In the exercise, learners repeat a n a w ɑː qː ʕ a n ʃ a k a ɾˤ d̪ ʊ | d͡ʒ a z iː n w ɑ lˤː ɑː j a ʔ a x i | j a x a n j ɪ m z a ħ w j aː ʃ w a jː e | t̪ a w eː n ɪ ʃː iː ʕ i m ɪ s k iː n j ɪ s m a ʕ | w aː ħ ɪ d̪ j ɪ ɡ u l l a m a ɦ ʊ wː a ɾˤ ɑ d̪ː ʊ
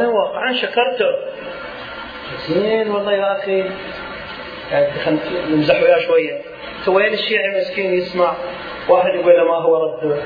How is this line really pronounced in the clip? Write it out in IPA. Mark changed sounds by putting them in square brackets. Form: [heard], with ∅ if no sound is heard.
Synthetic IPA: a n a w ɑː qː ʕ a n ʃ a k [ɑ] ɾˤ [t̪] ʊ | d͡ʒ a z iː n w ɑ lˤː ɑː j a ʔ a x i | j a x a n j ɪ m z a ħ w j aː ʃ w a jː [a] | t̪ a w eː n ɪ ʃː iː ʕ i m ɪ s k iː n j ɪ s m a ʕ | w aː ħ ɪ d̪ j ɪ ɡ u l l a m a ɦ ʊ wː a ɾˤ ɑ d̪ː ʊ